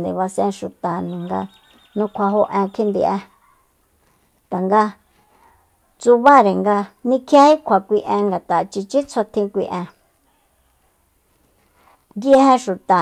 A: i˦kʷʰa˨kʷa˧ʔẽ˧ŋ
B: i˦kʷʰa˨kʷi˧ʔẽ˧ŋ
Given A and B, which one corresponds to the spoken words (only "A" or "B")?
B